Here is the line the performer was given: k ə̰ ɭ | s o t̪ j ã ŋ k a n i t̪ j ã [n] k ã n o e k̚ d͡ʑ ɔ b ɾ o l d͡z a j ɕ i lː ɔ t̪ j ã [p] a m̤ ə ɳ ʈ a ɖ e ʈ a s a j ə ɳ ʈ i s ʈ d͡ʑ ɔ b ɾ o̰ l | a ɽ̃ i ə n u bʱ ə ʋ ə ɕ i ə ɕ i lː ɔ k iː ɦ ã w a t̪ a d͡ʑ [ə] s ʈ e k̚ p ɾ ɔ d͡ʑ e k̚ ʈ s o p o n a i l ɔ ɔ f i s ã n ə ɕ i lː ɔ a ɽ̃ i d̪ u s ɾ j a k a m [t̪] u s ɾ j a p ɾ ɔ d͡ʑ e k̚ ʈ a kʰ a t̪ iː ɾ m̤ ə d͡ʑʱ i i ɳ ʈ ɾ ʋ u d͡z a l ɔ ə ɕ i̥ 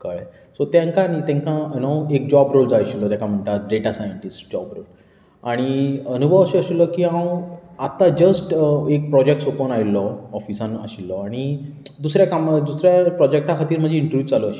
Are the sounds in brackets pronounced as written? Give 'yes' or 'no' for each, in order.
no, no, yes, no

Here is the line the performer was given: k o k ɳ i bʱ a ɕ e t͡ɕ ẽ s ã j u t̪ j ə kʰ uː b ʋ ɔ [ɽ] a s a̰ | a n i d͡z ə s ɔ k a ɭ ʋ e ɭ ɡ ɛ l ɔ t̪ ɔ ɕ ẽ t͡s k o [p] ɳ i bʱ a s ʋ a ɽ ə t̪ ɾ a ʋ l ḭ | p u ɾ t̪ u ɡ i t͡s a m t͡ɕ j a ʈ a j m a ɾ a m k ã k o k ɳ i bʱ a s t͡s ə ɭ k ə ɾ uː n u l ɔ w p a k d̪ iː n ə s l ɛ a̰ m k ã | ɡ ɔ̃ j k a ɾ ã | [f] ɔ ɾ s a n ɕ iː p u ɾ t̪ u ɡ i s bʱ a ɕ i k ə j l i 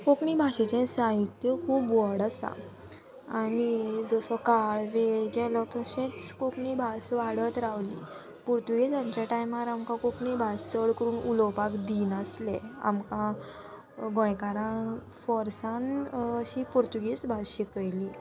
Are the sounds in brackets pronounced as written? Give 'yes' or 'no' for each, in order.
yes, no, yes

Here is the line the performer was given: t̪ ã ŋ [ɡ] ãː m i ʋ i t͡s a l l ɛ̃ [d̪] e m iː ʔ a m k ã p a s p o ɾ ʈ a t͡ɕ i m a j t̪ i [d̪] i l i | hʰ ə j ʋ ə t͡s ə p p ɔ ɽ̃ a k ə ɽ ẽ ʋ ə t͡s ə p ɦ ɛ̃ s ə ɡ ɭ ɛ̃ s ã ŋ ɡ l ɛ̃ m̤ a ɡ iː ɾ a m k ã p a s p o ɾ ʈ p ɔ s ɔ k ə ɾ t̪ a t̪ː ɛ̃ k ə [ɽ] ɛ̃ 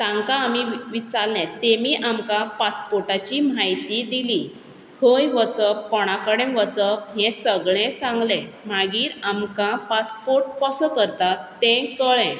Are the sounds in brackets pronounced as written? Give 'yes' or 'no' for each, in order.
no, no, yes, no

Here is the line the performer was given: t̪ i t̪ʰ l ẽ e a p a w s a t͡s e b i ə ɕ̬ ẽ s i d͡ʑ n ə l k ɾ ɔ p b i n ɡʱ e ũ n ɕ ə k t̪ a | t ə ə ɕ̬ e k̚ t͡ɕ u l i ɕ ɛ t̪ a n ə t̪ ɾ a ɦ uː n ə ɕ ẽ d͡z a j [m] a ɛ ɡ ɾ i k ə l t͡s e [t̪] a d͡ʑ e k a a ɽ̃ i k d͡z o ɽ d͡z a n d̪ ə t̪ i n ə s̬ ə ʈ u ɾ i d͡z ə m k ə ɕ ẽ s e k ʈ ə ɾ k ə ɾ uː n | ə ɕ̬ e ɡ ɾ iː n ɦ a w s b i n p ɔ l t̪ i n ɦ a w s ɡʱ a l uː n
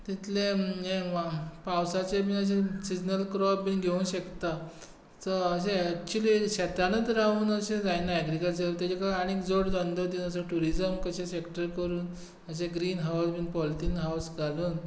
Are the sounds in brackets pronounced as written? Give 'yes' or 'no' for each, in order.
no, yes

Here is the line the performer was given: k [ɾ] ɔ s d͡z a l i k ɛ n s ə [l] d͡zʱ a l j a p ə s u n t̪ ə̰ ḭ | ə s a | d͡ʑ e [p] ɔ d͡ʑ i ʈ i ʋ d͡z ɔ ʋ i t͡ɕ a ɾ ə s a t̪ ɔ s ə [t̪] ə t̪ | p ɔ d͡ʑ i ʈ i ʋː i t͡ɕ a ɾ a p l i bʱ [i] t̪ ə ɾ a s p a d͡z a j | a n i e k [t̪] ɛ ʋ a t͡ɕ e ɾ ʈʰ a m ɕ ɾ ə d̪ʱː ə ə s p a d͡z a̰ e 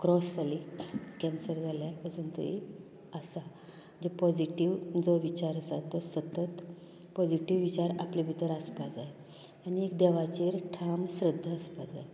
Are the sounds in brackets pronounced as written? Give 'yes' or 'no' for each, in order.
yes, no, yes, yes, yes, no

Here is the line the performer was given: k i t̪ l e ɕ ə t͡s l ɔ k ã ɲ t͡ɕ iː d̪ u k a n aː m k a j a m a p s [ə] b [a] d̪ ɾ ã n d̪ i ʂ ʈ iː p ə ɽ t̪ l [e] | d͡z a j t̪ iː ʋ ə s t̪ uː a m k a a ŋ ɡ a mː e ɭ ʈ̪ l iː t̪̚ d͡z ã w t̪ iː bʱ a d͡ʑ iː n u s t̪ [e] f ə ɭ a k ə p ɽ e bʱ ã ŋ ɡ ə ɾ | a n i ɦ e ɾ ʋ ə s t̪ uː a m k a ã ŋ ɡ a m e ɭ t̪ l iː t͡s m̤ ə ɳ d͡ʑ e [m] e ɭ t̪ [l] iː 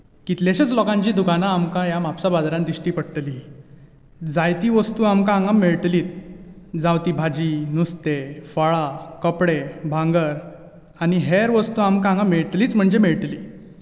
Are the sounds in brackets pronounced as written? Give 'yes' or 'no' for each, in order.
no, yes, no, yes, yes, yes

